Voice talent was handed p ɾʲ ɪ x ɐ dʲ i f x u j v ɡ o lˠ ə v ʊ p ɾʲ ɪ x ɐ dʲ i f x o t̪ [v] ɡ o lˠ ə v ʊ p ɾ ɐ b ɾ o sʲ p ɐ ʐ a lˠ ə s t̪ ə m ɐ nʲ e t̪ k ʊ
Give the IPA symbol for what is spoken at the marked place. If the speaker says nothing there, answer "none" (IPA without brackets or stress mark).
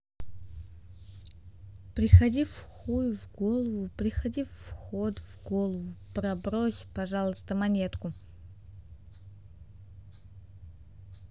v